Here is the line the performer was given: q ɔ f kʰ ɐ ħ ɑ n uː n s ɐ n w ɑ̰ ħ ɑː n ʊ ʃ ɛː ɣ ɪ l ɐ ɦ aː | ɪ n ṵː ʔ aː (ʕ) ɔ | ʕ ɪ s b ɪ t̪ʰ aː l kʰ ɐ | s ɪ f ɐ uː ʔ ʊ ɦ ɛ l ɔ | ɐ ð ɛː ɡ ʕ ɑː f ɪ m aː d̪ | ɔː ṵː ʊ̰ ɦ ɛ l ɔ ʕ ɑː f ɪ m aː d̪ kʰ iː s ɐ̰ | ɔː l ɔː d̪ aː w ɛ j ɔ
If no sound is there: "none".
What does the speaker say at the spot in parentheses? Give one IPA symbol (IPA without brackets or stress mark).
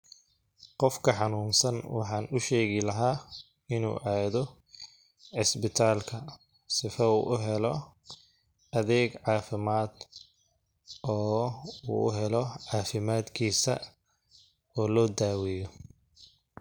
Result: ð